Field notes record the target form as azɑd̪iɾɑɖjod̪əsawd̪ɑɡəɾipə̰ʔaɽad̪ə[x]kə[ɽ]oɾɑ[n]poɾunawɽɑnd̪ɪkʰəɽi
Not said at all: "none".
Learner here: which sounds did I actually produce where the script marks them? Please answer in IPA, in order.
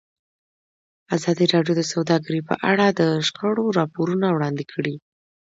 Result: ʃ, ɽ, none

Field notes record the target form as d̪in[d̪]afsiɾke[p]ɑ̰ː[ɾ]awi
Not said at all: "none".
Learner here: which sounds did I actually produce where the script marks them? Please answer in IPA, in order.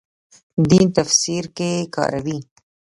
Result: t̪, k, ɾ

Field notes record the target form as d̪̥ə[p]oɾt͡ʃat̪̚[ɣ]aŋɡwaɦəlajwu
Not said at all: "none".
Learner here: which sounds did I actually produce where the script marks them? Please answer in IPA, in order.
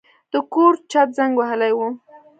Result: k, z

